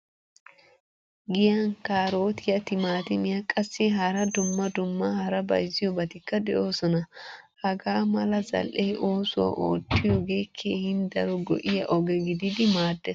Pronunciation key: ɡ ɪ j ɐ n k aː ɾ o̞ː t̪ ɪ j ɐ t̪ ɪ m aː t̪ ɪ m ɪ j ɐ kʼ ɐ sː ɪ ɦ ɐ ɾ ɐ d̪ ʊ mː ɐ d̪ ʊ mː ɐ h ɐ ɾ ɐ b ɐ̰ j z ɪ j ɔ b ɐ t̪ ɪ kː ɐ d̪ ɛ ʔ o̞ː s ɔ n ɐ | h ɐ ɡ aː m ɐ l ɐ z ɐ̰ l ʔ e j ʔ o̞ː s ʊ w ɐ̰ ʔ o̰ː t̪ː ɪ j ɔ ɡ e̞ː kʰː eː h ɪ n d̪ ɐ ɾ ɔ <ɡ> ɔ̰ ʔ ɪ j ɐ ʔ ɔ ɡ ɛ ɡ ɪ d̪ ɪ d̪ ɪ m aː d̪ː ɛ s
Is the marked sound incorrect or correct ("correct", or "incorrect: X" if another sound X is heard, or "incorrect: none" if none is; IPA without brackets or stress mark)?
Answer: correct